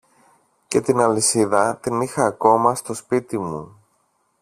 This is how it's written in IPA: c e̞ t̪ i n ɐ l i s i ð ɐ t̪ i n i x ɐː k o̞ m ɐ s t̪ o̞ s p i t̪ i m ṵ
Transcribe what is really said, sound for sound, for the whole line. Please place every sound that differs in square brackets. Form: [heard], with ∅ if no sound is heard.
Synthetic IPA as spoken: c e̞ t̪ i n ɐ l i s i ð ɐ t̪ i n i x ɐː k o̞ m ɐ s t̪ o̞ s p i t̪ i m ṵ